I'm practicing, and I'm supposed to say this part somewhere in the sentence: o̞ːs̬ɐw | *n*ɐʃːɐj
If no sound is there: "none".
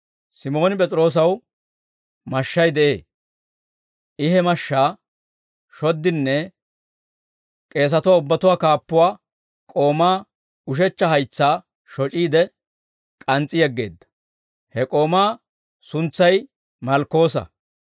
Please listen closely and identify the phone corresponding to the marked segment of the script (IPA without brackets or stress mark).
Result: m